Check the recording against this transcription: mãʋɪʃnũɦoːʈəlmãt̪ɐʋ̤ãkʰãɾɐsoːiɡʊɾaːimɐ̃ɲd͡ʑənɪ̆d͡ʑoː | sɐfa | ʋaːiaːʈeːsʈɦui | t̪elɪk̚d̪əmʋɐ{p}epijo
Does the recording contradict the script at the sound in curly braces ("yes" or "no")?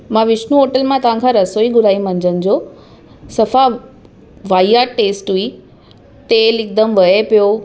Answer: yes